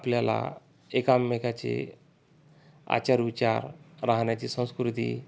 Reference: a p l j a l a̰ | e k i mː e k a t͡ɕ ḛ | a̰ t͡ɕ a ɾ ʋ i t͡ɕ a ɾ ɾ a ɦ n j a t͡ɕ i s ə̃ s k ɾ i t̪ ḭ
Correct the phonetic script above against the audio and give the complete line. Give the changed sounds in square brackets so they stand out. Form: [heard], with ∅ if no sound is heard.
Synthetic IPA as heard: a p l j a l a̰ | e k [a] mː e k a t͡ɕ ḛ | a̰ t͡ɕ a ɾ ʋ i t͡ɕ a ɾ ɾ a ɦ n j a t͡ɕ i s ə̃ s k ɾ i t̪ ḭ